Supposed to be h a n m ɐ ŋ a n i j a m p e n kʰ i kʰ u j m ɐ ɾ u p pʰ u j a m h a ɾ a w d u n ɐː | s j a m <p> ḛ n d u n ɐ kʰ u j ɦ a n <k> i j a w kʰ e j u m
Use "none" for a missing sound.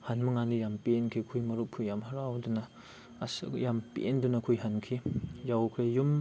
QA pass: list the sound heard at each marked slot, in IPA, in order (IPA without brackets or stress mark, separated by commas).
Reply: p, kʰ